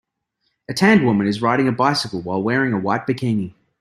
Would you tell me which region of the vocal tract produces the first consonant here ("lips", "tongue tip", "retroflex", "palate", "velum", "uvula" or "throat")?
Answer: tongue tip